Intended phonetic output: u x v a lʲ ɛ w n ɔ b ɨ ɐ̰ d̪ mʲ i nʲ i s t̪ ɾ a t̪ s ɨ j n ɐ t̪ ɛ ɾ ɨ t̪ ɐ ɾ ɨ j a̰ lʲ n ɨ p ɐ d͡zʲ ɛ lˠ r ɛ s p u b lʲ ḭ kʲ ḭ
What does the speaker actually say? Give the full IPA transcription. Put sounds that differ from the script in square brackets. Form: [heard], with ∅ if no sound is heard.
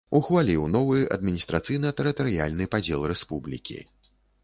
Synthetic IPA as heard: u x v a lʲ [i] w n ɔ [v] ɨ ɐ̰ d̪ mʲ i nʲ i s t̪ ɾ a t̪ s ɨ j n ɐ t̪ ɛ ɾ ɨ t̪ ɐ ɾ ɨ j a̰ lʲ n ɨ p [a] d͡zʲ ɛ lˠ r ɛ s p u b lʲ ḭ kʲ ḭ